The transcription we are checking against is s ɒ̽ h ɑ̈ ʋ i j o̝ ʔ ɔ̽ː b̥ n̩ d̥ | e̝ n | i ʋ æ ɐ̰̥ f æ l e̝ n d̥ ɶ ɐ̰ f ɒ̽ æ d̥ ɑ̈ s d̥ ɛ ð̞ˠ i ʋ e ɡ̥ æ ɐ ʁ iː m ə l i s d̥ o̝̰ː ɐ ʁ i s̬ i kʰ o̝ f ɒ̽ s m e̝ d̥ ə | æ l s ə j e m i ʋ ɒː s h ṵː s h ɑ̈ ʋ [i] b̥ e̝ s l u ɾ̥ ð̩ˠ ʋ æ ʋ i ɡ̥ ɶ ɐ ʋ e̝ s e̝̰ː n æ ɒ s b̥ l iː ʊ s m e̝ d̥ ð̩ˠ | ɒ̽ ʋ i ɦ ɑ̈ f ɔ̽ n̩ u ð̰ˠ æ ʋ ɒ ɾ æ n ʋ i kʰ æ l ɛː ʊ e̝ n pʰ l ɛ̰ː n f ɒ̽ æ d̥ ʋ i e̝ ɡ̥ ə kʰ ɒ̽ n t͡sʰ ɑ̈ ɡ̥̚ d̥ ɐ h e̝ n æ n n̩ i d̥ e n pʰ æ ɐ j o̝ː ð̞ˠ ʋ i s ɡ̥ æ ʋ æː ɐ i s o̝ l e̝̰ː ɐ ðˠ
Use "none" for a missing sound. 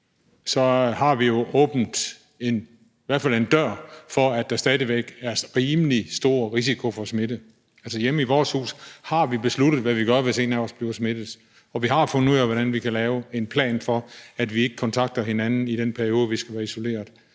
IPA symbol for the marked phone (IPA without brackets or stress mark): i